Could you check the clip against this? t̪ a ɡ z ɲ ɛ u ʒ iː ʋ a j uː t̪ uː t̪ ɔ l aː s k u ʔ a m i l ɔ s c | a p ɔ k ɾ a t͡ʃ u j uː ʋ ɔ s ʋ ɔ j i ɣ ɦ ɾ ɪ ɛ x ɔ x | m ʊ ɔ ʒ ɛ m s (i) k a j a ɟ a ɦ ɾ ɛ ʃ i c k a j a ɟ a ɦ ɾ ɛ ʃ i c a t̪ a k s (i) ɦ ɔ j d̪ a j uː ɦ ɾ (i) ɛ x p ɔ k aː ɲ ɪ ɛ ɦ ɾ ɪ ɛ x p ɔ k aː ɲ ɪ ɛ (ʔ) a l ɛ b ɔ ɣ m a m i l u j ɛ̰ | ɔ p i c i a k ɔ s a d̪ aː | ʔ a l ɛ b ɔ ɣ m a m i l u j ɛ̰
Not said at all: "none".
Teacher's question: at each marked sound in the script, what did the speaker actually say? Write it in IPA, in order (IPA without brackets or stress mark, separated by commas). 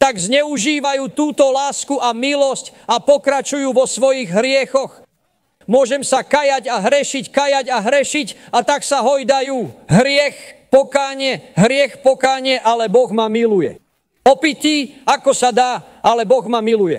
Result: a, a, ɪ, ʔ